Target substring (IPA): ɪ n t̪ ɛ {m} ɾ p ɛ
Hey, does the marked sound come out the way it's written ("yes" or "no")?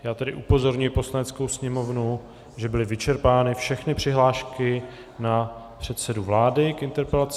no